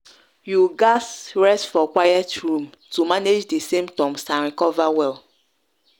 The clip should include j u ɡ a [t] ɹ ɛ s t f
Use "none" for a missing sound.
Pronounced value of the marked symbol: s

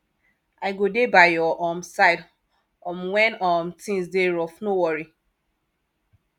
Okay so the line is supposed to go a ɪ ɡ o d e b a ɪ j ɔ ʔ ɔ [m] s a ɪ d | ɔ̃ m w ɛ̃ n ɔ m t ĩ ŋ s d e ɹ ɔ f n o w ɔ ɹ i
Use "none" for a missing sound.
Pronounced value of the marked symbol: m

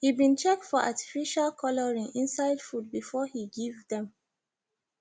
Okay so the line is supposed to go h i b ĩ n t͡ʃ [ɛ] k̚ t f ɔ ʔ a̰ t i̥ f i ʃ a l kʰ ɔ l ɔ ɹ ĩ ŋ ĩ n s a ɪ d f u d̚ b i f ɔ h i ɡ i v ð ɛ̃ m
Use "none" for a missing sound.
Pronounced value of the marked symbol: ɛ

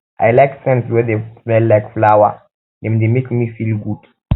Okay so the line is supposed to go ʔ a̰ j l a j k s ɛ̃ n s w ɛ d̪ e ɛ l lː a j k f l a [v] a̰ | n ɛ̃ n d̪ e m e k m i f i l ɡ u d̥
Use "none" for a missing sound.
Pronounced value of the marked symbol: w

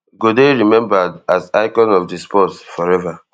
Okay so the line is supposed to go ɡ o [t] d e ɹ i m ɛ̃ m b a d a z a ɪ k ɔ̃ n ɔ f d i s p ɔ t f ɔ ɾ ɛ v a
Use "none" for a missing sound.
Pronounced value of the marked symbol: none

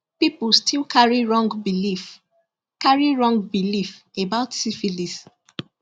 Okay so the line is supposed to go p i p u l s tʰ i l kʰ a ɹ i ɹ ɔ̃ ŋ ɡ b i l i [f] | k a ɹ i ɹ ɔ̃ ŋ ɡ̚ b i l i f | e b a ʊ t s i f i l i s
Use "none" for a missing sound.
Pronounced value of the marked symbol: f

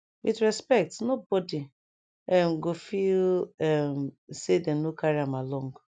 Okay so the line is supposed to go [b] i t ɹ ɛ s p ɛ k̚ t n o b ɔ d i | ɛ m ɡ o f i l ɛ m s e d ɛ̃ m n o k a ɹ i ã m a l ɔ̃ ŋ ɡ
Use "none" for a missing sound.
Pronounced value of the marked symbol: w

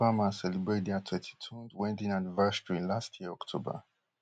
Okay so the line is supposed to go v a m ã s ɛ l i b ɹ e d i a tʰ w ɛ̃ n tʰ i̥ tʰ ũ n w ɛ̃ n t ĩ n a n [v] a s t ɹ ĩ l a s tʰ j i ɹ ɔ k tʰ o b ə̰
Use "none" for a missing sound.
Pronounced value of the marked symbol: v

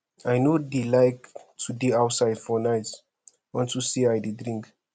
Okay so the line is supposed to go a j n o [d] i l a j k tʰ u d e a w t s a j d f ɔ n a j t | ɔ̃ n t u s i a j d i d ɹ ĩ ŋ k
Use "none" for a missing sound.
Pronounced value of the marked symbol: d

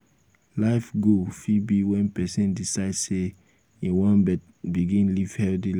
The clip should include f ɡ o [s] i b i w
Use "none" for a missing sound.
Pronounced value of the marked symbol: f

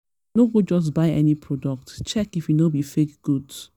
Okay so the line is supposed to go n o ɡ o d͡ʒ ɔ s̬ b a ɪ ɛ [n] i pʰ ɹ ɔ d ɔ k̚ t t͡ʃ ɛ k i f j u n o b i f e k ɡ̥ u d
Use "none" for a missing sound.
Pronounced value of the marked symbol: n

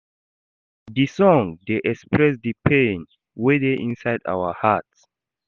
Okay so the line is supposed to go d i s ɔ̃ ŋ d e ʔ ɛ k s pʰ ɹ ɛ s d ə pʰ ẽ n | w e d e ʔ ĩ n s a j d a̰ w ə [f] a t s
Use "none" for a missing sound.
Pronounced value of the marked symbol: h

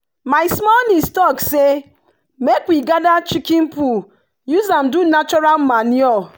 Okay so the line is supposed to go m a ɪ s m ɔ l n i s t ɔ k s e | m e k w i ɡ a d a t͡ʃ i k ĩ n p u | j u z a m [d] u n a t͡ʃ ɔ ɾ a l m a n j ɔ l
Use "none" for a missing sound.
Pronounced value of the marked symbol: d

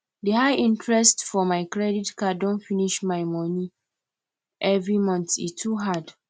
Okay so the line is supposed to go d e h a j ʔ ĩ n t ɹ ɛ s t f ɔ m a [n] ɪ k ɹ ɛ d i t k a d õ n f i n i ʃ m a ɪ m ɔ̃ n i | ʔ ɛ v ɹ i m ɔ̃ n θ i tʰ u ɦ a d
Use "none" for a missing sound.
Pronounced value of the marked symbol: none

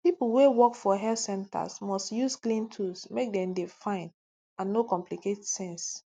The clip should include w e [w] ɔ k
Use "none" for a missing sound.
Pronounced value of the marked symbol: w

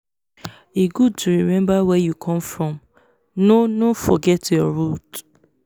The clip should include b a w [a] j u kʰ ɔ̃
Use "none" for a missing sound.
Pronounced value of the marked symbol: ɛ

